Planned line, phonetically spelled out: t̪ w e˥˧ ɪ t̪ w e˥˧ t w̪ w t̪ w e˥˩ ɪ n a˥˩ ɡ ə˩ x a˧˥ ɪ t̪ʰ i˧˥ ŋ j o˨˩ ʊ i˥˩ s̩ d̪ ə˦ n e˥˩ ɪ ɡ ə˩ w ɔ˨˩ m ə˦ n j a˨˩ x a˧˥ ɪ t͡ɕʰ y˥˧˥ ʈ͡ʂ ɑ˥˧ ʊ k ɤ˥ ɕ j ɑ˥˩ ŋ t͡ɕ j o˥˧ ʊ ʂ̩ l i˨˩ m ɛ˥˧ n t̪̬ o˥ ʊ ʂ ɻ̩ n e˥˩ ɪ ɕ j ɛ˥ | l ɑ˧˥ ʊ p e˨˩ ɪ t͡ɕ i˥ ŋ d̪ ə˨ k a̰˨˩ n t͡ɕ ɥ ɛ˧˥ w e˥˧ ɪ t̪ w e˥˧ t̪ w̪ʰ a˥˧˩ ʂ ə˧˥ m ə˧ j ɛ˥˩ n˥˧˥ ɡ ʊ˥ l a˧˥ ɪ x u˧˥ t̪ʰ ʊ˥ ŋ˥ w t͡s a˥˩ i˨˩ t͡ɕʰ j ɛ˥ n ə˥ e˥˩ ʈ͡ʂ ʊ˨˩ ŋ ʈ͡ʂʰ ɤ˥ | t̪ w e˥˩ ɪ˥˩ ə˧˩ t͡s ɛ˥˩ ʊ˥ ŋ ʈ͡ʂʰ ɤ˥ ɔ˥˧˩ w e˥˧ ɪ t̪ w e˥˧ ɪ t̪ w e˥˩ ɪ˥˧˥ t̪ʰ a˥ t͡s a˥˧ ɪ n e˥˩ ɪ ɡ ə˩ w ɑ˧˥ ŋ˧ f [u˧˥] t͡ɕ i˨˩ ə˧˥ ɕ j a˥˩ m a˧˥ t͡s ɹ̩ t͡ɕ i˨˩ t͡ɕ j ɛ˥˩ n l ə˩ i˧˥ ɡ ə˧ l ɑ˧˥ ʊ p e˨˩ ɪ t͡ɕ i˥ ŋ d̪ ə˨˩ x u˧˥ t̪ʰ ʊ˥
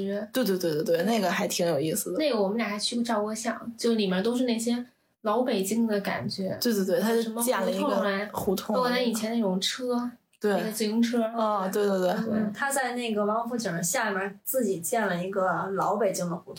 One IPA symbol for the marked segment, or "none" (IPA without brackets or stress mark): u˥˩